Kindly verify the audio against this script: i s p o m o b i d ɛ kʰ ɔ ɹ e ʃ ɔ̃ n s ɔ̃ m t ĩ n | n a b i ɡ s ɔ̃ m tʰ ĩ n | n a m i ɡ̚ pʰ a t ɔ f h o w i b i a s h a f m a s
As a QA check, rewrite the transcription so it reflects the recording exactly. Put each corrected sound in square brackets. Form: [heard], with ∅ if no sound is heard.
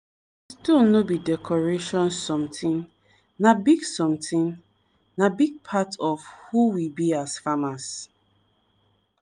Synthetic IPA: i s [t] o [n] o b i d ɛ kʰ ɔ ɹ e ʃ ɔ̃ n s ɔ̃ m t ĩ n | n a b i ɡ s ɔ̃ m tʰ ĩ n | n a [b] i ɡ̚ pʰ a t ɔ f h [u] w i b i a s [f] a [∅] m a s